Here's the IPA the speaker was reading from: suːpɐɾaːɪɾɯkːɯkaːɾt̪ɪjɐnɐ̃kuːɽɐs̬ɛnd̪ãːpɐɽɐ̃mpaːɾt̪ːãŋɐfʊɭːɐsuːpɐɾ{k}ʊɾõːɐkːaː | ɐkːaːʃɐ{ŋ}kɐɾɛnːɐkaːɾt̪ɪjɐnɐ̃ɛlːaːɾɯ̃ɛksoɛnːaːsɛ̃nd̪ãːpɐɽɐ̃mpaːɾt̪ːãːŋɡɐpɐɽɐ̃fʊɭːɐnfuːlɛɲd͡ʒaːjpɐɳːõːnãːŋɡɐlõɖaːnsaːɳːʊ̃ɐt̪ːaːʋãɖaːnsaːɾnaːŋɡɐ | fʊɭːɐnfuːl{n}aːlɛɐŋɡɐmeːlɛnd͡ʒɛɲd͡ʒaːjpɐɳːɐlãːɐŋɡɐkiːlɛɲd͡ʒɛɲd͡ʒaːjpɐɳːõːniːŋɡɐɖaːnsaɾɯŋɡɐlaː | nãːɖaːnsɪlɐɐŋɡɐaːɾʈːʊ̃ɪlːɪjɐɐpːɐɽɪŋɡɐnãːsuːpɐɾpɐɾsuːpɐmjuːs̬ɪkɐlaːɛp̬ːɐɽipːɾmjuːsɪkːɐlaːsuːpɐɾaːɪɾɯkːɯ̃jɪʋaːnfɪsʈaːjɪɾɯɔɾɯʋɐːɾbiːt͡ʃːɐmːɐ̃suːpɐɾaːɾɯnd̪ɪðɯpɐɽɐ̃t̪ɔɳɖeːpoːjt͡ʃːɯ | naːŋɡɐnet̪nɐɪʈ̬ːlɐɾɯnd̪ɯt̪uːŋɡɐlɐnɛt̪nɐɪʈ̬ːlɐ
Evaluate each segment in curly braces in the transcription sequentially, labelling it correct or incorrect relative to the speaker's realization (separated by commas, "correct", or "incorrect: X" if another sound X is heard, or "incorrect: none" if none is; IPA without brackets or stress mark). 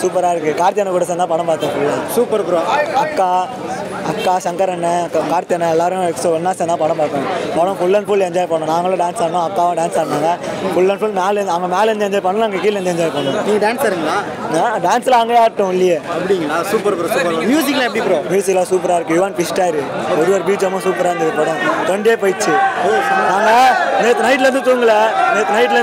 incorrect: p, correct, incorrect: m